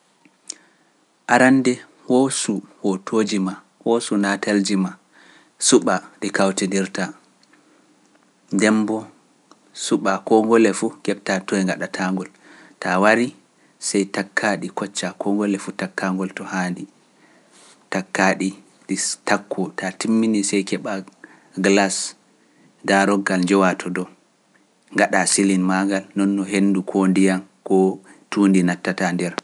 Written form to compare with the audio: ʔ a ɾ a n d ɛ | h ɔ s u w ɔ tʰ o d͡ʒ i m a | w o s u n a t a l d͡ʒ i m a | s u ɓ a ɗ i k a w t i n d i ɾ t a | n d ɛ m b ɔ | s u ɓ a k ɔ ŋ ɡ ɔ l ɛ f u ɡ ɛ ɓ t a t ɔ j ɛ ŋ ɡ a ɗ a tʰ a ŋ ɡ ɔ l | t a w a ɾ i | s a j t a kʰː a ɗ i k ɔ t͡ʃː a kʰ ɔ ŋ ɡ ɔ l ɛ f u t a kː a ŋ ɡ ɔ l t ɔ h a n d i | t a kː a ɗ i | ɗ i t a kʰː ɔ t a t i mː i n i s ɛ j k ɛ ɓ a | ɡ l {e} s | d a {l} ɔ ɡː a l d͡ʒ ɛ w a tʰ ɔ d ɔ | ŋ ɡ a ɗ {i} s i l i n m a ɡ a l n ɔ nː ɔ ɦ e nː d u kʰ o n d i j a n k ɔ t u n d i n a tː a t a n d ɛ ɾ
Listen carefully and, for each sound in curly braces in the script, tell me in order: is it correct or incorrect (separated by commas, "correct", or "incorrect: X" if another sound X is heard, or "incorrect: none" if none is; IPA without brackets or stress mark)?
incorrect: a, incorrect: ɾ, incorrect: a